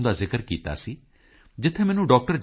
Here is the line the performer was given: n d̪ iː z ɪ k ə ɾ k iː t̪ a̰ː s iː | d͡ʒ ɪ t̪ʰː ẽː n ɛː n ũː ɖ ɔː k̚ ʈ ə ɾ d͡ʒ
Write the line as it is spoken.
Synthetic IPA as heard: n d̪ aː z ɪ k ə ɾ k iː t̪ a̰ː s iː | d͡ʒ ɪ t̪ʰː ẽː m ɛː n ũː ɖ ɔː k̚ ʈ ə ɾ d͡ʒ